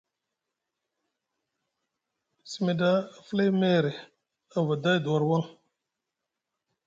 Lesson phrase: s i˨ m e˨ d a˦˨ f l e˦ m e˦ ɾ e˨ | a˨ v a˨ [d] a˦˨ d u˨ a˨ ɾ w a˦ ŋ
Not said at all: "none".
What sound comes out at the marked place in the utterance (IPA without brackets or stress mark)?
d